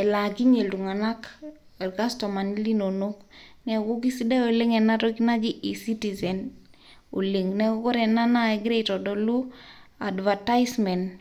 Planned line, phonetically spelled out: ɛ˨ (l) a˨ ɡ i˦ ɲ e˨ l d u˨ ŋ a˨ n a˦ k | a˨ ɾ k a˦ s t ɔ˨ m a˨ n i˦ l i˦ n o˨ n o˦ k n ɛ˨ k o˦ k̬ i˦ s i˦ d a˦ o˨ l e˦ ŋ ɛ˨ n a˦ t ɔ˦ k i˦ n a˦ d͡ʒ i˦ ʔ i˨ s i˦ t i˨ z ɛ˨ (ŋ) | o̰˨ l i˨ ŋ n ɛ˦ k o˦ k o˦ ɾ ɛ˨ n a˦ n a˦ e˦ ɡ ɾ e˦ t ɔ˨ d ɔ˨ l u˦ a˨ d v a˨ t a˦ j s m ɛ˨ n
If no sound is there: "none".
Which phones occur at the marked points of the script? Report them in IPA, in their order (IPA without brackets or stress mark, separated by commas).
l, n